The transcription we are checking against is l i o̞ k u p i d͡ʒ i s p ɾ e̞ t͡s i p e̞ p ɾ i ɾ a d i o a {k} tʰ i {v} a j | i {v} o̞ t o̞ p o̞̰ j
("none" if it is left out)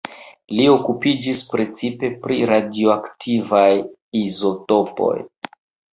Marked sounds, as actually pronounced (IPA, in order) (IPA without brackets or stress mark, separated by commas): k, v, z